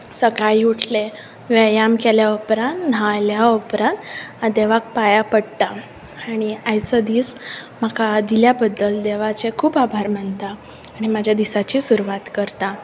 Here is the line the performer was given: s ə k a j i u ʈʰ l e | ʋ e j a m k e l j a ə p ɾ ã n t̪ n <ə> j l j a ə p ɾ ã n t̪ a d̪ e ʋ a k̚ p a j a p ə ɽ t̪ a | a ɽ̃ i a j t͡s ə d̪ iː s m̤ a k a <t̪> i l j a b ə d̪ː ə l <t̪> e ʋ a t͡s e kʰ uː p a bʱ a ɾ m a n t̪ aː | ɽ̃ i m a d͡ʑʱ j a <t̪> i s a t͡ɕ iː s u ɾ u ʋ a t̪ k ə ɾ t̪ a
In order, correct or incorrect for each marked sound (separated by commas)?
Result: incorrect, incorrect, incorrect, incorrect